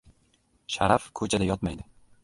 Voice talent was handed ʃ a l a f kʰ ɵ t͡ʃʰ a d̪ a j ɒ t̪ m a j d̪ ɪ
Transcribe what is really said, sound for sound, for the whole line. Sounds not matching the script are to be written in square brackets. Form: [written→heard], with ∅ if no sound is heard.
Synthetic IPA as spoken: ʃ a [l→ɾ] a f kʰ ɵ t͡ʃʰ a d̪ a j ɒ t̪ m a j d̪ ɪ